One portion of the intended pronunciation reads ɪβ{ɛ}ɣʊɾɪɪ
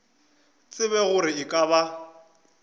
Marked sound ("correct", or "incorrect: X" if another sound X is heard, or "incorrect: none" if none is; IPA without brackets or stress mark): correct